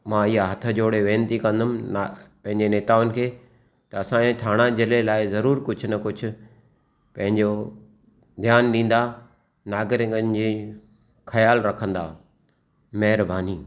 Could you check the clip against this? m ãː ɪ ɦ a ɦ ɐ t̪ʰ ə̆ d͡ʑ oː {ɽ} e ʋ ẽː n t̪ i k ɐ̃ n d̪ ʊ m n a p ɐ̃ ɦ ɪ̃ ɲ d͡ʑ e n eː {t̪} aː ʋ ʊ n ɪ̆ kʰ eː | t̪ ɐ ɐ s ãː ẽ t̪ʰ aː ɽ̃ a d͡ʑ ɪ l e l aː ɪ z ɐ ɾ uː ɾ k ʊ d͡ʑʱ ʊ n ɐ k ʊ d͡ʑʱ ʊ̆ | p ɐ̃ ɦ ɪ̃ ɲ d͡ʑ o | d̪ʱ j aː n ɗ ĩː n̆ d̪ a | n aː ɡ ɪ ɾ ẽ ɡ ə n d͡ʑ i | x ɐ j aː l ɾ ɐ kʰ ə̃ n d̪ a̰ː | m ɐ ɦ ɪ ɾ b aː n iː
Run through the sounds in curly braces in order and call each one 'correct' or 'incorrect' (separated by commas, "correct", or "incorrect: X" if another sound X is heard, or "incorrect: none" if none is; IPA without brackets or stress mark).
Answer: correct, correct